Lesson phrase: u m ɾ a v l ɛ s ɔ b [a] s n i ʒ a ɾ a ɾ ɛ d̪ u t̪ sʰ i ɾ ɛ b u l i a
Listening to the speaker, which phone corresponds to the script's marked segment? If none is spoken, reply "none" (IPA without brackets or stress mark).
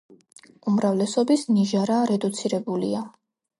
i